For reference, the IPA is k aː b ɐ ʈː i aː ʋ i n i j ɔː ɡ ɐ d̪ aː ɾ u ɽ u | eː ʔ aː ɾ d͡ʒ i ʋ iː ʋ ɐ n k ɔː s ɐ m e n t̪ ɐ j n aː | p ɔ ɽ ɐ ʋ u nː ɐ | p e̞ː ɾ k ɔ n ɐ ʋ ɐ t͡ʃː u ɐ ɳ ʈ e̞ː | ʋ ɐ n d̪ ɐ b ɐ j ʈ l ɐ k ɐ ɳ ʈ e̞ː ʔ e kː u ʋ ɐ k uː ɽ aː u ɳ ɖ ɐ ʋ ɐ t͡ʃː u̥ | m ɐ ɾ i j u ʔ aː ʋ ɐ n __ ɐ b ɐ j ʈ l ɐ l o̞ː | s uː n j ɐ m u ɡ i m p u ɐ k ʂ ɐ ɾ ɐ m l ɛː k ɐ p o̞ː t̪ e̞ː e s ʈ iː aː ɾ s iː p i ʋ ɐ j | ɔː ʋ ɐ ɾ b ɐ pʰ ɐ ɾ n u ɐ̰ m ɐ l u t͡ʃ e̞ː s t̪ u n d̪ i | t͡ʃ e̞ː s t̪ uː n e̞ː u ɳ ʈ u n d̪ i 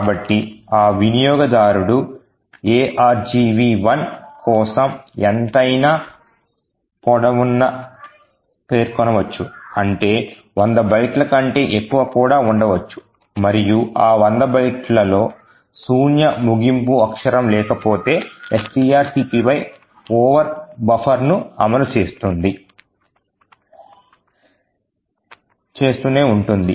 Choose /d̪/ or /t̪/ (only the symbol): d̪